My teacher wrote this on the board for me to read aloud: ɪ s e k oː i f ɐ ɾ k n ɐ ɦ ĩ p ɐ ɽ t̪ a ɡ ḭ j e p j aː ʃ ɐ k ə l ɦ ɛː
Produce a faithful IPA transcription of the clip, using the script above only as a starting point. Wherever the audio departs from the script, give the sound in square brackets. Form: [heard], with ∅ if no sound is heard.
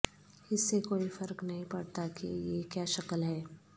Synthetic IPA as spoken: ɪ [sː] e k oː i f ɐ ɾ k n ɐ ɦ ĩ p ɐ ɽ t̪ a [k] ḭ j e [k] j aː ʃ ɐ k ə l ɦ ɛː